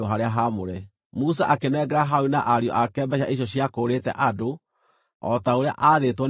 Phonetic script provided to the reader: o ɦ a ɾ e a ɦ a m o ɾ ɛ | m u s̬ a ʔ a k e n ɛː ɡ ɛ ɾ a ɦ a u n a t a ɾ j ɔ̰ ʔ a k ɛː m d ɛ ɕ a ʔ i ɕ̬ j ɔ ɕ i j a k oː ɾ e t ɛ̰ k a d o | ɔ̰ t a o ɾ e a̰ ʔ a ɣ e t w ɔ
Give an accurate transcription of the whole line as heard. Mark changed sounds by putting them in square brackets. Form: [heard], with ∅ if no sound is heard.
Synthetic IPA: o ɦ a ɾ e a ɦ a m o ɾ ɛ | m u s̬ a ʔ a k e n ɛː ɡ ɛ ɾ a ɦ a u n a [ʔ] a ɾ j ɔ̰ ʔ a k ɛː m [b] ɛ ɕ a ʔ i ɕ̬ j ɔ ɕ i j a k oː ɾ e t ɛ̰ [ʔ] a d o | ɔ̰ t a o ɾ e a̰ ʔ a [ð] e t w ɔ